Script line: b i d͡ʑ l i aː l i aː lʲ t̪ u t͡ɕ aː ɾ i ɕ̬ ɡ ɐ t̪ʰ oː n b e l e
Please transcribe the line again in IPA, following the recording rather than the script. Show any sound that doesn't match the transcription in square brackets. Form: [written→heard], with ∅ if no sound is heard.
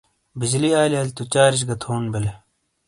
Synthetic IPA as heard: b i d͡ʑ l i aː l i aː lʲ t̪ u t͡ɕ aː ɾ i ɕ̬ ɡ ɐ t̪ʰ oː n b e l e